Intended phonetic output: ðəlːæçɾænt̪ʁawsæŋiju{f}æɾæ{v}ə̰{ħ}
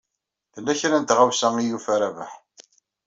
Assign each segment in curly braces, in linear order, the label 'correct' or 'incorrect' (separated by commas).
correct, correct, correct